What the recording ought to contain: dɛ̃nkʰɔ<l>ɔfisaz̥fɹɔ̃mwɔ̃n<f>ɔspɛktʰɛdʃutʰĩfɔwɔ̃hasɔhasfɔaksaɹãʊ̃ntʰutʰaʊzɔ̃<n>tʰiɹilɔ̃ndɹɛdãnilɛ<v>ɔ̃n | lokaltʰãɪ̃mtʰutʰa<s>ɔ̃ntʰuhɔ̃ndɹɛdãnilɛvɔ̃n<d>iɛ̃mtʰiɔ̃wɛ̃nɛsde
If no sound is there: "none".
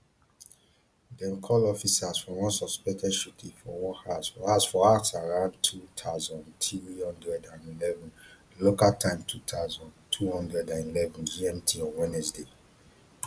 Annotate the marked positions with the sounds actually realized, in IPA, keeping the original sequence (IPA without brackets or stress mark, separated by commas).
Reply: l, s, n, v, z, d͡ʒ